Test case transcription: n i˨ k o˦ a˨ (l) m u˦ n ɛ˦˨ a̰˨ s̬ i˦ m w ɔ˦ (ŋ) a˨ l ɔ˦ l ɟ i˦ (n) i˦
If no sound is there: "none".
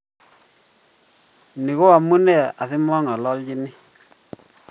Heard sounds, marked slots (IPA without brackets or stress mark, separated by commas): none, ŋ, n